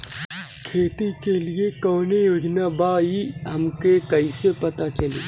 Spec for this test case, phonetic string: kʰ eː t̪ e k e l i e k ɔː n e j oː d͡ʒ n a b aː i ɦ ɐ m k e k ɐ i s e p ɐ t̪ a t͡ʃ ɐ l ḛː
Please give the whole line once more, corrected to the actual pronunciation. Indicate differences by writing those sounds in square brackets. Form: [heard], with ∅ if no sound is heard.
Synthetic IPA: kʰ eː t̪ [i] k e l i e k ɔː n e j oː d͡ʒ n a b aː i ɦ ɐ m k e k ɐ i s e p ɐ t̪ a t͡ʃ ɐ l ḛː